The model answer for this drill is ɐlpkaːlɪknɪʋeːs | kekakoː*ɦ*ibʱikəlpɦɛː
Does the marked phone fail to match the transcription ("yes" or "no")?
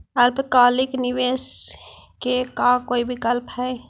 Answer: yes